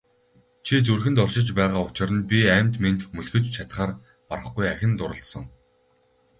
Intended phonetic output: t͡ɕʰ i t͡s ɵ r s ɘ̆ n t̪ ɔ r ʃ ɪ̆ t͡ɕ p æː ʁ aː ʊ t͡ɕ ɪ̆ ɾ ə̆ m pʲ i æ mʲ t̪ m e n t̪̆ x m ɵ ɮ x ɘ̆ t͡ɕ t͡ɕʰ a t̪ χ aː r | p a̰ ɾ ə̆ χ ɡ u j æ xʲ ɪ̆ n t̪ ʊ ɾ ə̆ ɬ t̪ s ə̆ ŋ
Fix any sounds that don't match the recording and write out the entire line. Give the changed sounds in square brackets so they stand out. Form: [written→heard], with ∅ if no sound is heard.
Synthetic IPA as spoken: t͡ɕʰ i t͡s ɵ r [s→x] ɘ̆ n t̪ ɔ r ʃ ɪ̆ t͡ɕ p æː ʁ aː ʊ t͡ɕ ɪ̆ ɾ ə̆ [m→n] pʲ i æ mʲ t̪ m e n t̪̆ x m ɵ ɮ x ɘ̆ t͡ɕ t͡ɕʰ a t̪ χ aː r | p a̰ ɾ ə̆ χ ɡ u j æ xʲ ɪ̆ n t̪ ʊ ɾ ə̆ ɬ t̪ s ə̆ ŋ